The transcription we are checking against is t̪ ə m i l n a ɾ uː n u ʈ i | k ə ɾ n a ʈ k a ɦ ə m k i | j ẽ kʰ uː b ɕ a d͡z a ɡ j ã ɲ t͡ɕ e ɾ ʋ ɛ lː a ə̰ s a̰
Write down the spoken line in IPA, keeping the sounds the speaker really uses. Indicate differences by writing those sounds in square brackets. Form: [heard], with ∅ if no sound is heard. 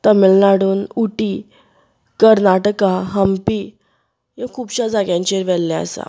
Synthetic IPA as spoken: t̪ ə m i l n a [ɽ] uː n u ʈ i | k ə ɾ n a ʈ k a ɦ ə m [p] i | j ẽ kʰ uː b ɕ a d͡z a ɡ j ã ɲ t͡ɕ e ɾ ʋ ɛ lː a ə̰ s a̰